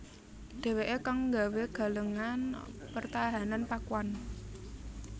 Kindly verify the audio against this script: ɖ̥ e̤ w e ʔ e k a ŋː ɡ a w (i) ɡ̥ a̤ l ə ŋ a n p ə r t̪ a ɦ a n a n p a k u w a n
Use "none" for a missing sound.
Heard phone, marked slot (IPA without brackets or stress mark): e